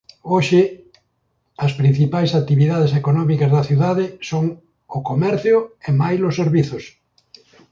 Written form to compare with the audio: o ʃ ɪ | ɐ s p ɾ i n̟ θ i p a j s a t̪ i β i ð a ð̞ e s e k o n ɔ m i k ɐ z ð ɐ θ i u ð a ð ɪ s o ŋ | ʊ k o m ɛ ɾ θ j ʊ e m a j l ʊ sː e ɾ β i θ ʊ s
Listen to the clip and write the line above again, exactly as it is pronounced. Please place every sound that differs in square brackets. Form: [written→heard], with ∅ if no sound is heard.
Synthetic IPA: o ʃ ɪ | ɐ s p ɾ i n̟ θ i p a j s a t̪ i β i ð a ð̞ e s e k o n ɔ m i k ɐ z ð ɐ θ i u ð a ð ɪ s o ŋ | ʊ k o m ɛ ɾ θ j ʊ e m a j l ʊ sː e ɾ β i θ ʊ s